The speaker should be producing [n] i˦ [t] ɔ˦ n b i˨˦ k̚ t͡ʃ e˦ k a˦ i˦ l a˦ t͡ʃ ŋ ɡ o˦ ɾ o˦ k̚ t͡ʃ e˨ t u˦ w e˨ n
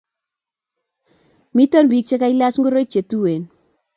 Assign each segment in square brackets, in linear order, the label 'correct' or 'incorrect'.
incorrect, correct

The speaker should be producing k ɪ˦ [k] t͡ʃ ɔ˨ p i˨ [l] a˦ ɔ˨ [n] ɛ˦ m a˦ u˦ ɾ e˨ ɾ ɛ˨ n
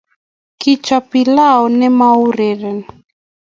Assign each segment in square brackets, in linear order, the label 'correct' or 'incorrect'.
incorrect, correct, correct

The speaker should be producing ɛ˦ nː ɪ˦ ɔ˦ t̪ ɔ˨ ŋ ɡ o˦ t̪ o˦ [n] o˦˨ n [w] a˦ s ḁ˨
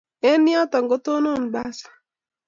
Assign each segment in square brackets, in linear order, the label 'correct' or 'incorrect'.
correct, incorrect

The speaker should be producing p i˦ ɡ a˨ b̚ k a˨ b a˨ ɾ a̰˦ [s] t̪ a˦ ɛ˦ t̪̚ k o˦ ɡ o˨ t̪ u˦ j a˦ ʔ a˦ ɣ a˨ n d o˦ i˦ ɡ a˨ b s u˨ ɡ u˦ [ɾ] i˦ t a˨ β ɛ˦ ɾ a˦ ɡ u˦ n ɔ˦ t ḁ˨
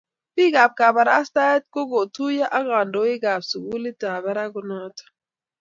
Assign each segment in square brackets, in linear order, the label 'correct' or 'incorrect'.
correct, incorrect

